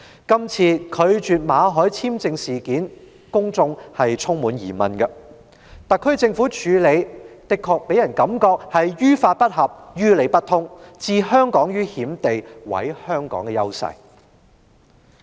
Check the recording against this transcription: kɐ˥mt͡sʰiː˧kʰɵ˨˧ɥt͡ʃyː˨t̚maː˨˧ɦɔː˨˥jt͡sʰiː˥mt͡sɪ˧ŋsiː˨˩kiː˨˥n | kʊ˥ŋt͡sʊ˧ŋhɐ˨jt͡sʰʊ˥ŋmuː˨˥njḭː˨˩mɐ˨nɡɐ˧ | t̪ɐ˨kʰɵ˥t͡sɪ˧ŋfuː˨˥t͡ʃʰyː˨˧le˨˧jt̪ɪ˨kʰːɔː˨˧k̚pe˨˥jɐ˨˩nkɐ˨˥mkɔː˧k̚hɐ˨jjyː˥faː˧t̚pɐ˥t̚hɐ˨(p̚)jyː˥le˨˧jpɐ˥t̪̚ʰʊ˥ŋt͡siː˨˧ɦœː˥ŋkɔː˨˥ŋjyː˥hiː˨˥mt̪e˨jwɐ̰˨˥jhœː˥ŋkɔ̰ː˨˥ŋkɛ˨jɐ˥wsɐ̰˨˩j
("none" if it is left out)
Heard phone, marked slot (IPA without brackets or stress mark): p̚